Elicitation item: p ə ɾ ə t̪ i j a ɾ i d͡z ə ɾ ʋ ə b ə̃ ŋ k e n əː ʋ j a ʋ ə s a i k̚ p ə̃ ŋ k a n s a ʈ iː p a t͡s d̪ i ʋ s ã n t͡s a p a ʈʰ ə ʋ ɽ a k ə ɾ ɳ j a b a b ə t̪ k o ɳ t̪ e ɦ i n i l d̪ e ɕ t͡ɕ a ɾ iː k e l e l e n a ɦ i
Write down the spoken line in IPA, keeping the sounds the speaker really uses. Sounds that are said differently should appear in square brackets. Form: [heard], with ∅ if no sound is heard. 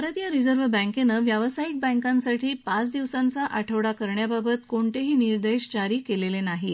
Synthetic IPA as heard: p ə ɾ ə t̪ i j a ɾ i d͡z ə ɾ ʋ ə b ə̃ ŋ k e n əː ʋ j a ʋ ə s a i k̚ [b] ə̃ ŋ k a n s a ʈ iː p a t͡s d̪ i ʋ s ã n t͡s a [ʔ] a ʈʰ ə ʋ ɽ a k ə ɾ ɳ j a b a b ə t̪ k o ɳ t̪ e ɦ [iː] n i [ɾ] d̪ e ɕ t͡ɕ a ɾ iː k e l e l e n a ɦ i